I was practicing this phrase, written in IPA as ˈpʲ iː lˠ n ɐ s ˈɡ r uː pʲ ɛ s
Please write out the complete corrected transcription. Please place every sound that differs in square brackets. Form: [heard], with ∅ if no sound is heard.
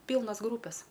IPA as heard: ˈpʲ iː lˠ n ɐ s ˈɡ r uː pʲ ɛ s